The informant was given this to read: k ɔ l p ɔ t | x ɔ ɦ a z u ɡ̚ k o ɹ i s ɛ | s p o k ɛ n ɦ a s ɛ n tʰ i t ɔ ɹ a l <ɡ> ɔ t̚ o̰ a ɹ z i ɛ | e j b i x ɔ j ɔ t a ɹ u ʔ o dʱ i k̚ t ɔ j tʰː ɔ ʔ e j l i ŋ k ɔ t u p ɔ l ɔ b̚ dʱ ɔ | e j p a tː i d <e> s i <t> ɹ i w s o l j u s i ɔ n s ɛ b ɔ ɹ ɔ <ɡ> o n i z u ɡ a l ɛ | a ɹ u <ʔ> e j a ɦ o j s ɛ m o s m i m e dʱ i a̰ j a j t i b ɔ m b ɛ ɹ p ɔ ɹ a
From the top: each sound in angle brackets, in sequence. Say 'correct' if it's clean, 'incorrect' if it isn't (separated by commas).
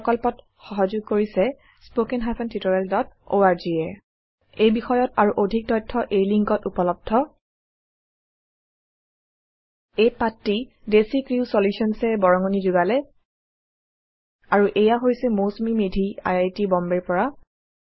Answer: incorrect, correct, incorrect, incorrect, correct